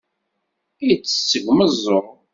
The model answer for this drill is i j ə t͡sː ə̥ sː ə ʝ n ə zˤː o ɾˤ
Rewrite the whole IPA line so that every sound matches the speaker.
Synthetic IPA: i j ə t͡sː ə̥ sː ə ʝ m ə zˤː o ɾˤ